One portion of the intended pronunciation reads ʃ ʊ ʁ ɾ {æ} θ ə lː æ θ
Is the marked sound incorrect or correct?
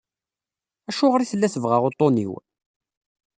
incorrect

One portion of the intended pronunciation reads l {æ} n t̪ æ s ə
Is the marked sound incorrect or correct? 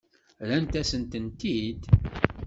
correct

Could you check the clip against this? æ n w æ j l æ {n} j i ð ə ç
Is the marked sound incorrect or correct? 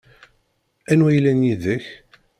correct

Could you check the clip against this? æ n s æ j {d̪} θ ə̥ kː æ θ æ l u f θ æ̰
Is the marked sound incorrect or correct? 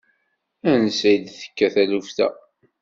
correct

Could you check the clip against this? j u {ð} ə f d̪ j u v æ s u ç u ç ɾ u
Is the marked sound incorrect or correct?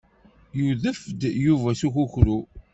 correct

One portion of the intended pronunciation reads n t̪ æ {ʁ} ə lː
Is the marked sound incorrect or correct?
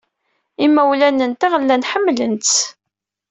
correct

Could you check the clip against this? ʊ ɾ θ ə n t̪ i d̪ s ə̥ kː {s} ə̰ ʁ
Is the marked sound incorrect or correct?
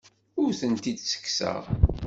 correct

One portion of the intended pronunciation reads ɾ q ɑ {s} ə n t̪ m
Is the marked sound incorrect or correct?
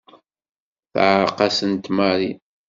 correct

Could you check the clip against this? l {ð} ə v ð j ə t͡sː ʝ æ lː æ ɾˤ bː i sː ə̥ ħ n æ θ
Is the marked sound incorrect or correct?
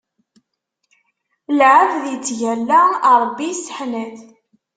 incorrect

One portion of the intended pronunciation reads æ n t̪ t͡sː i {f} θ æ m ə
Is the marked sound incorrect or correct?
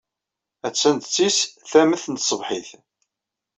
incorrect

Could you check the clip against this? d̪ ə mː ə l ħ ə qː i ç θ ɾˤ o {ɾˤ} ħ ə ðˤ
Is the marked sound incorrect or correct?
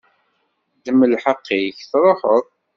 incorrect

